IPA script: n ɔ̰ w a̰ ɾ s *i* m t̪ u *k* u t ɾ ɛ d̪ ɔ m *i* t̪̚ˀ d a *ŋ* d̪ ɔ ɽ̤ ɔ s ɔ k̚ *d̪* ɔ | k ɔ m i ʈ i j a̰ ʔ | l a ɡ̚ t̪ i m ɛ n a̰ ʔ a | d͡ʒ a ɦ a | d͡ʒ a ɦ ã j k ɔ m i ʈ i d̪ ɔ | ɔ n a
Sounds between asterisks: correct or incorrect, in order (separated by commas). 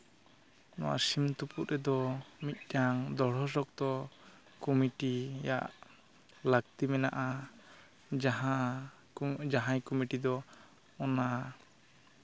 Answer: correct, incorrect, correct, correct, incorrect